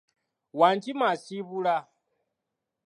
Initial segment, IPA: w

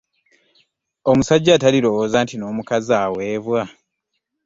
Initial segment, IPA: o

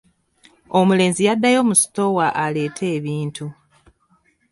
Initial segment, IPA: o̞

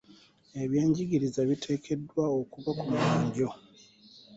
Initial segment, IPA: e̞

